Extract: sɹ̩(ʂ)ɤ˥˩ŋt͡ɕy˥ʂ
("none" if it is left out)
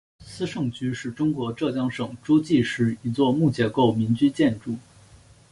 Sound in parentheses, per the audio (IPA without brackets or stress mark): ʂ